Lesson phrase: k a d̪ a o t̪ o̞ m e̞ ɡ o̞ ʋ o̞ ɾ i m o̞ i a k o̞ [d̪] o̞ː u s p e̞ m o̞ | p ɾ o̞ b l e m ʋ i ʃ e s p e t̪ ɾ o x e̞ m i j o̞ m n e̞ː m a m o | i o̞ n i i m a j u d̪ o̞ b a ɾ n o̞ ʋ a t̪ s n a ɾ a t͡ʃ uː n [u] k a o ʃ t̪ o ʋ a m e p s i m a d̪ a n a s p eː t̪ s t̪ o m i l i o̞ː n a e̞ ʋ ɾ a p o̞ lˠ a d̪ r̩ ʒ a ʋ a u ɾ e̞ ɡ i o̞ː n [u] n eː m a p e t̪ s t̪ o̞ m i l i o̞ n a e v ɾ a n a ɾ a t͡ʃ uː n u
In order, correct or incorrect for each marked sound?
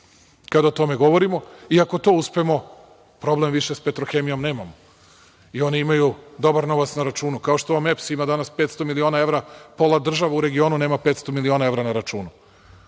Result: incorrect: t̪, correct, correct

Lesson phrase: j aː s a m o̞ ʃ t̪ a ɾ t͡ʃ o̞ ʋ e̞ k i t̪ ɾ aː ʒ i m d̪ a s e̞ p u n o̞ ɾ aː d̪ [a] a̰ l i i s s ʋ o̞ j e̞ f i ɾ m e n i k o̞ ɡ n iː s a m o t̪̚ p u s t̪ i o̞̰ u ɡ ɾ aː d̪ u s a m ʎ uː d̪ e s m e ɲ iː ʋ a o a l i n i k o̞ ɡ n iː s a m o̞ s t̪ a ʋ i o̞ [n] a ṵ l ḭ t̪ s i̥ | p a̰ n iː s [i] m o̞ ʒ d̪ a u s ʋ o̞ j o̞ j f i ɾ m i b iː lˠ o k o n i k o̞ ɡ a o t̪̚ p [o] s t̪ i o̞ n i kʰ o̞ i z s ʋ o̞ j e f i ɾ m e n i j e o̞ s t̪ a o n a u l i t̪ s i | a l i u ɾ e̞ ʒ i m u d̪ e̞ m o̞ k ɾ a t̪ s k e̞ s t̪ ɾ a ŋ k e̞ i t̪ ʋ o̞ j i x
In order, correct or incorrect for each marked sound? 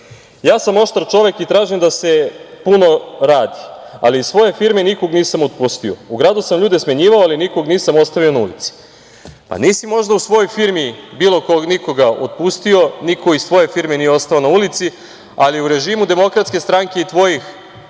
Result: incorrect: i, correct, correct, incorrect: u

